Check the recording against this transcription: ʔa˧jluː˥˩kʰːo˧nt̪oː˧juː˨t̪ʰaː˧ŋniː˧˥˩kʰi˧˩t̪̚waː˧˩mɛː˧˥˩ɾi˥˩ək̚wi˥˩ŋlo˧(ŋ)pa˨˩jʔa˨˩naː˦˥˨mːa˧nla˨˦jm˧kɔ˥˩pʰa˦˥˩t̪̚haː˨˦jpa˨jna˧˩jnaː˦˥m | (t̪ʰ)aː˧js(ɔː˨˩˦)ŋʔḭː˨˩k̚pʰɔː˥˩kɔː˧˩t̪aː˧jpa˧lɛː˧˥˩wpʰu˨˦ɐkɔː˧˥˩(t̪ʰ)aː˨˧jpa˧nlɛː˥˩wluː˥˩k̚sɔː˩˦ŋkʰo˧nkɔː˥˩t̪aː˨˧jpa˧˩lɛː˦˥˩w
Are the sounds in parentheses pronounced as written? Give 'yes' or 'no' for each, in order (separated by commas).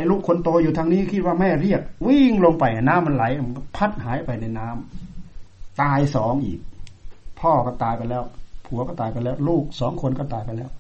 yes, no, yes, no